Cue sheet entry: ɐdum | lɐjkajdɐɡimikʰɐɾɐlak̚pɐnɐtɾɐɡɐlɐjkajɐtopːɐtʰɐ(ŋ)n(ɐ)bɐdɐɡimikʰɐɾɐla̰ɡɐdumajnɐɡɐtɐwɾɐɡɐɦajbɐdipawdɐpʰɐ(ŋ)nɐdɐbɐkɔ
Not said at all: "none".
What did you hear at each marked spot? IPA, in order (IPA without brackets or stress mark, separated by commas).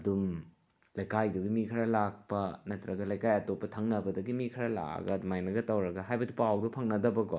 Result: ŋ, ɐ, ŋ